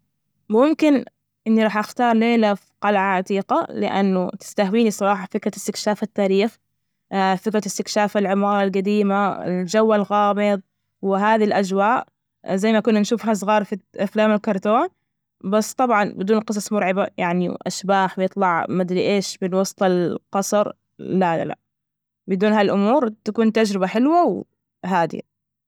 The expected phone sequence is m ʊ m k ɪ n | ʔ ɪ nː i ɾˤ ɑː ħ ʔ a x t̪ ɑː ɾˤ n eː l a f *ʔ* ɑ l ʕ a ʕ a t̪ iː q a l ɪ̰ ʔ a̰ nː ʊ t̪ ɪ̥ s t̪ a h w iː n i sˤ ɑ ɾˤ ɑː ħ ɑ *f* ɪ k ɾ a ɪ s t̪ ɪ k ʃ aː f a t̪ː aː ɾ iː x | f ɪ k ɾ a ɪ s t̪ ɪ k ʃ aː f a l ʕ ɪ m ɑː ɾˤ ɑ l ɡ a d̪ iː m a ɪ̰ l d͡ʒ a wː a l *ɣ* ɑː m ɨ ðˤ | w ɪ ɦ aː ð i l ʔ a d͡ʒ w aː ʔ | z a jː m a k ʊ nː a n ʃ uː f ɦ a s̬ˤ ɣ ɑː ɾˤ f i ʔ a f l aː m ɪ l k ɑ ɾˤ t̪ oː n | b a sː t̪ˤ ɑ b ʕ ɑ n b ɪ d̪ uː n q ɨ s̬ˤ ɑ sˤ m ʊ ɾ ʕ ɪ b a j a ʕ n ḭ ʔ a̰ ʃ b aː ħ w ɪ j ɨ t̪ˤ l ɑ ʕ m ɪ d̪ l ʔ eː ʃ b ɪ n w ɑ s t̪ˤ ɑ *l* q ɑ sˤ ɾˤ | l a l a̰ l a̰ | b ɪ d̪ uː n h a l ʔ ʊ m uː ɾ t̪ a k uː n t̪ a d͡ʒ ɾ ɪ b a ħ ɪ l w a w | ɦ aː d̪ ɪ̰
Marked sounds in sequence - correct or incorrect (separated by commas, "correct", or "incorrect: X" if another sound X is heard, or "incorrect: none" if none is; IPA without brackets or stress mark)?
incorrect: q, correct, correct, correct